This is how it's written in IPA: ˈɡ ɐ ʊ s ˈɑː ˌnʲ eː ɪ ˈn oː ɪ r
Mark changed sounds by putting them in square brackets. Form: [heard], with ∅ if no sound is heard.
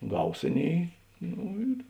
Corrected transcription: ˈɡ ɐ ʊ s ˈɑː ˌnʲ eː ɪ ˈn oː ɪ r

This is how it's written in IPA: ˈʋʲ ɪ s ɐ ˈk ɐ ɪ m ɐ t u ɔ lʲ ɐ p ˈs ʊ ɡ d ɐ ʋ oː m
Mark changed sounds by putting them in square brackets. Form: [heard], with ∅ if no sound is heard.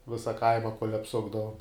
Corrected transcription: ˈʋʲ ɪ s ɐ ˈk ɐ ɪ m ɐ [k] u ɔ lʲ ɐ p ˈs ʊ ɡ d ɐ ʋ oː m

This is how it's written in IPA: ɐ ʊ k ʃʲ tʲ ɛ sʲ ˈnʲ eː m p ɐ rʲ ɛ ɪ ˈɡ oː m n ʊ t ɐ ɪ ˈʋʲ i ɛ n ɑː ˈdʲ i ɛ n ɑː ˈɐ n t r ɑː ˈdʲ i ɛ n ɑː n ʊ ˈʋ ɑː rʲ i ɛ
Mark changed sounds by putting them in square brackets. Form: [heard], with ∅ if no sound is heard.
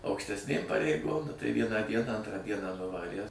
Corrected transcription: ɐ ʊ k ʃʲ tʲ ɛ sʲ ˈnʲ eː m p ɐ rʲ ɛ ɪ ˈɡ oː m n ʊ t ɐ ɪ ˈʋʲ i ɛ n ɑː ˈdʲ i ɛ n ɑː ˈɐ n t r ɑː ˈdʲ i ɛ n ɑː n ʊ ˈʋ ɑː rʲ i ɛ

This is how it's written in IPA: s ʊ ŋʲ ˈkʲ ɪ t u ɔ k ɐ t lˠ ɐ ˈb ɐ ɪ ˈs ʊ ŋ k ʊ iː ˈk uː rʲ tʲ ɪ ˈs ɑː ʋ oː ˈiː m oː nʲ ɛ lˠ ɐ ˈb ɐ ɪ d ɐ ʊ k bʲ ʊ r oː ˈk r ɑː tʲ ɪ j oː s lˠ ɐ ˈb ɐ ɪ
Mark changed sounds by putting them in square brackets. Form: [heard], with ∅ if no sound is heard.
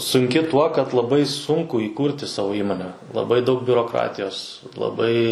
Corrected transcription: s ʊ ŋʲ ˈkʲ ɪ t u ɔ k ɐ t lˠ ɐ ˈb ɐ ɪ ˈs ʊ ŋ k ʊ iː ˈk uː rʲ tʲ ɪ ˈs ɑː ʋ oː ˈiː m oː nʲ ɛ lˠ ɐ ˈb ɐ ɪ d ɐ ʊ k bʲ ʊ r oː ˈk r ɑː tʲ ɪ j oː s lˠ ɐ ˈb ɐ ɪ

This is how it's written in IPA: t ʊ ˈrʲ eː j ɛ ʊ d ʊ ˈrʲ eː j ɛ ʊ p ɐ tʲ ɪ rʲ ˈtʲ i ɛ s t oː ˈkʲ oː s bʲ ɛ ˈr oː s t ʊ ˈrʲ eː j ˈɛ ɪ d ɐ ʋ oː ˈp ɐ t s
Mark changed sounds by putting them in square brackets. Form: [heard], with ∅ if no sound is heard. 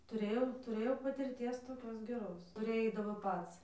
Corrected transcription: t ʊ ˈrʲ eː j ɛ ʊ [t] ʊ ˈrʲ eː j ɛ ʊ p ɐ tʲ ɪ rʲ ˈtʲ i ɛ s t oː ˈkʲ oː s [ɡʲ] ɛ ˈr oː s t ʊ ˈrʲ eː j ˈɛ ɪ d ɐ ʋ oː ˈp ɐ t s

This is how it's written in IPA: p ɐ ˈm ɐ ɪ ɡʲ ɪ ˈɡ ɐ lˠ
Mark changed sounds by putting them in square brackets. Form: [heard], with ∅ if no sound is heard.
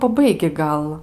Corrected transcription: p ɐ [ˈb] ɐ ɪ ɡʲ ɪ ˈɡ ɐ lˠ

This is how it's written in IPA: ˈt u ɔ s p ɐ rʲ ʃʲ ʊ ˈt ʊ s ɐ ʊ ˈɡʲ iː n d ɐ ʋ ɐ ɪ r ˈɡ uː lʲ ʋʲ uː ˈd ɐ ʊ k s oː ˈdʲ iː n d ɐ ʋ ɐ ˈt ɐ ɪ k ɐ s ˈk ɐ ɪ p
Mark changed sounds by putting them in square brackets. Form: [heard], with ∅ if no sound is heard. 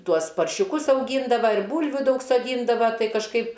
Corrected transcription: ˈt u ɔ s p ɐ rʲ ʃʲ ʊ [ˈk] ʊ s ɐ ʊ ˈɡʲ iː n d ɐ ʋ ɐ ɪ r [ˈb] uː lʲ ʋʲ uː ˈd ɐ ʊ k s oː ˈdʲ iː n d ɐ ʋ ɐ ˈt ɐ ɪ k ɐ [ʃ] ˈk ɐ ɪ p

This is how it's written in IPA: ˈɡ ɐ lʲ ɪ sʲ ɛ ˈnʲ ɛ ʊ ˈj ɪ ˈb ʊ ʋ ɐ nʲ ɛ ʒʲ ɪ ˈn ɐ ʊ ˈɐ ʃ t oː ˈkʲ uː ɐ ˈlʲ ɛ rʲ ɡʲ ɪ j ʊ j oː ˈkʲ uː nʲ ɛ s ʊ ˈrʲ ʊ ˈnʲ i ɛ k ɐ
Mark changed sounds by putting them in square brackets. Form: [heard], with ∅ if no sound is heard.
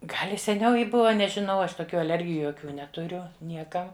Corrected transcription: ˈɡ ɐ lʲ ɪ sʲ ɛ ˈnʲ ɛ ʊ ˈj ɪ ˈb ʊ ʋ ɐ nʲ ɛ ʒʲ ɪ ˈn ɐ ʊ ˈɐ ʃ t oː ˈkʲ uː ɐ ˈlʲ ɛ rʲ ɡʲ ɪ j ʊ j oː ˈkʲ uː nʲ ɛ [t] ʊ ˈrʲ ʊ ˈnʲ i ɛ k ɐ

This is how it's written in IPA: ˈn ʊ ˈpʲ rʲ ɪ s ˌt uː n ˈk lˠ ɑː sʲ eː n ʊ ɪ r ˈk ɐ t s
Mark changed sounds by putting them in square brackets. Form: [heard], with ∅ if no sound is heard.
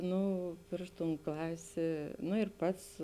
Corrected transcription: ˈn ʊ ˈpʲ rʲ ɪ [ʃ] ˌt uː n ˈk lˠ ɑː sʲ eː n ʊ ɪ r [ˈp] ɐ t s

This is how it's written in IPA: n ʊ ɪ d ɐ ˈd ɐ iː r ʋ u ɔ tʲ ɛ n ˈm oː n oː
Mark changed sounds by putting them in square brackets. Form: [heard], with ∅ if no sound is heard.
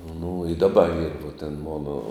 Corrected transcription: n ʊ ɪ d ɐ [ˈb] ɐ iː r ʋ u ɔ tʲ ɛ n ˈm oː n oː

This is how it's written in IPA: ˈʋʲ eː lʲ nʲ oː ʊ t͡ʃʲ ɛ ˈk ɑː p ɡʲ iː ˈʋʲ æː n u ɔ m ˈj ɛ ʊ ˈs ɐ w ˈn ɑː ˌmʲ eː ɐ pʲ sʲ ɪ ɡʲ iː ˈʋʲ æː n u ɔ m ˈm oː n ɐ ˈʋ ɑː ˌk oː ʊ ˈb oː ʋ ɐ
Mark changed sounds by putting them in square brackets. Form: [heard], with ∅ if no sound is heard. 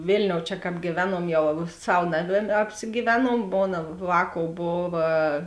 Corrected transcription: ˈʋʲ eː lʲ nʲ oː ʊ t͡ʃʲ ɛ ˈk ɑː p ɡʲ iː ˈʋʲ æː n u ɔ m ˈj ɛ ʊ ˈs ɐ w ˈn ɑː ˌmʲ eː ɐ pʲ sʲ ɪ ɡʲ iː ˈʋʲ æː n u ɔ m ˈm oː n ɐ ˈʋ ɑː ˌk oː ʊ ˈb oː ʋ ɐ

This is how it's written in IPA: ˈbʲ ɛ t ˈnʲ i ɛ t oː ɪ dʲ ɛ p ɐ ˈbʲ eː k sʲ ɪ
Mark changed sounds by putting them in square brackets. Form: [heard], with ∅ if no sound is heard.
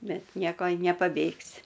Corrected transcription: ˈbʲ ɛ t ˈnʲ i ɛ [k] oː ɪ [nʲ] ɛ p ɐ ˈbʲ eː k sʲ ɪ

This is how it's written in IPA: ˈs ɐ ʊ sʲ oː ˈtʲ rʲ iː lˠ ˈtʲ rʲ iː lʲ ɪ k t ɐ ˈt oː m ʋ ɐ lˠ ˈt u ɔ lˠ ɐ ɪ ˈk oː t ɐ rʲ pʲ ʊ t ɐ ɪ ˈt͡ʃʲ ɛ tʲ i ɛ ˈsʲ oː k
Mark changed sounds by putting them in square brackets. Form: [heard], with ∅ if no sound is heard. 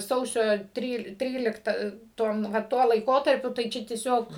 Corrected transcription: ˈs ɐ ʊ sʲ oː ˈtʲ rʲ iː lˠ ˈtʲ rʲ iː lʲ ɪ k t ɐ ˈt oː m ʋ ɐ [∅] ˈt u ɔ lˠ ɐ ɪ ˈk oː t ɐ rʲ pʲ ʊ t ɐ ɪ ˈt͡ʃʲ ɛ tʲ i ɛ ˈsʲ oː k

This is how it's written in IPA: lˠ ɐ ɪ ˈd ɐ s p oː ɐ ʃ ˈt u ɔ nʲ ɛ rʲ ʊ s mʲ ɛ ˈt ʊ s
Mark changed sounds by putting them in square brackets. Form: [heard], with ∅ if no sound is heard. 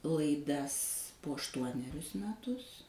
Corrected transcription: lˠ ɐ ɪ ˈd ɐ s p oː ɐ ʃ ˈt u ɔ nʲ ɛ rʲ ʊ s mʲ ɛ ˈt ʊ s

